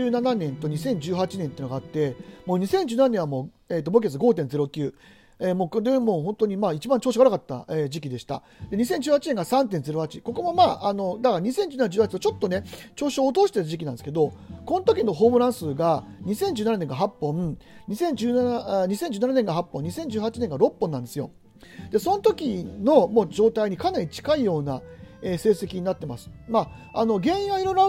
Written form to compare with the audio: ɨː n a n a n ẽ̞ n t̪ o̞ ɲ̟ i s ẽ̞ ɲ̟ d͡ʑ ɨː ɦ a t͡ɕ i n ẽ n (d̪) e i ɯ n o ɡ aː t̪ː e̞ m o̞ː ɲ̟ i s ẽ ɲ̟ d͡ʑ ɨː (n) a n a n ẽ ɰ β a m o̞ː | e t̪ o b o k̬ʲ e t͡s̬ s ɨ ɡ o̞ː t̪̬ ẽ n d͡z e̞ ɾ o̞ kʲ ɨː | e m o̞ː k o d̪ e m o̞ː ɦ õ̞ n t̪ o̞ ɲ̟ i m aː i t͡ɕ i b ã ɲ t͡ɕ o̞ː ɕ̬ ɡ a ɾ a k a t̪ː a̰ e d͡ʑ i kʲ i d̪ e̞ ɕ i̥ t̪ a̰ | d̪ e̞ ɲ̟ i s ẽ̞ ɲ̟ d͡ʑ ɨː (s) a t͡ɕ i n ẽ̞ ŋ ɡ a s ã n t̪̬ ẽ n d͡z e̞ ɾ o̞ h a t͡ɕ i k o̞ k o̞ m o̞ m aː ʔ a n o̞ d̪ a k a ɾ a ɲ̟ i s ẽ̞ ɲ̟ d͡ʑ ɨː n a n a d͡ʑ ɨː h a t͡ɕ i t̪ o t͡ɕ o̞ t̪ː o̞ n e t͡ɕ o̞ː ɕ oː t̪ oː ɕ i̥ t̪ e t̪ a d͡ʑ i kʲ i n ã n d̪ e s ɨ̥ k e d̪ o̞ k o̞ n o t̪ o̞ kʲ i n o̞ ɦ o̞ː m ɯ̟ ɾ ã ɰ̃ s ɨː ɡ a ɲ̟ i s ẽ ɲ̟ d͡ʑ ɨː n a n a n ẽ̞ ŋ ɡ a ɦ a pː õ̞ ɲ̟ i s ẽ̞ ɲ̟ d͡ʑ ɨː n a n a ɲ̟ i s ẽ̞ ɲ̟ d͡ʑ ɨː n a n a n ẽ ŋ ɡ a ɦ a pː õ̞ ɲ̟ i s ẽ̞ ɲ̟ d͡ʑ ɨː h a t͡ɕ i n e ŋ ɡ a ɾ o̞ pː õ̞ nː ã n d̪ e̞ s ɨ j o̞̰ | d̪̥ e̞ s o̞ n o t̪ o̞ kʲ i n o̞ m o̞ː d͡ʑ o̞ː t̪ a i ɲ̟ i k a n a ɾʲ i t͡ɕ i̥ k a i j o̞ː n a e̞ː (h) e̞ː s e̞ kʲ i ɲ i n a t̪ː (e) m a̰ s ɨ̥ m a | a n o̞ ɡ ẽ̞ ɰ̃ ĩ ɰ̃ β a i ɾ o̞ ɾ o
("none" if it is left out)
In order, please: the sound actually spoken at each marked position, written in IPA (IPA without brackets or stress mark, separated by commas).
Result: t̪, n, h, s, e